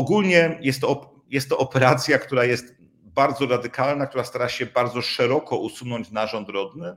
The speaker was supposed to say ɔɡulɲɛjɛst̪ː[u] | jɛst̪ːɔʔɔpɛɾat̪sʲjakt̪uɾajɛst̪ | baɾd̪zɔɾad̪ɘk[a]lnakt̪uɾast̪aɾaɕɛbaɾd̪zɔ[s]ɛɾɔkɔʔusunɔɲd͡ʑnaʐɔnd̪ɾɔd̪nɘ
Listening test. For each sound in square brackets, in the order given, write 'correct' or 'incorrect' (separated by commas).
incorrect, correct, incorrect